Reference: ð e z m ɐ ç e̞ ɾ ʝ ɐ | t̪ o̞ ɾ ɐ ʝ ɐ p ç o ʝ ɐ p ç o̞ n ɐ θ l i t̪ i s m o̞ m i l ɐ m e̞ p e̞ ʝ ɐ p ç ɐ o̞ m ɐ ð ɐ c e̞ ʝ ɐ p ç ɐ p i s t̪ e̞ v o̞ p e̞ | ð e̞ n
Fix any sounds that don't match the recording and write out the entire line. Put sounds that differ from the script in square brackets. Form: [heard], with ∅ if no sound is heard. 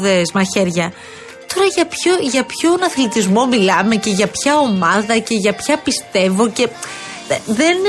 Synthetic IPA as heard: ð e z m ɐ ç e̞ ɾ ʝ ɐ | t̪ o̞ ɾ ɐ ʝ ɐ p ç o ʝ ɐ p ç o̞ n ɐ θ l i t̪ i [z] m o̞ m i l ɐ m e̞ [c] e̞ ʝ ɐ p ç ɐ o̞ m ɐ ð ɐ c e̞ ʝ ɐ p ç ɐ p i s t̪ e̞ v o̞ [c] e̞ | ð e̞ n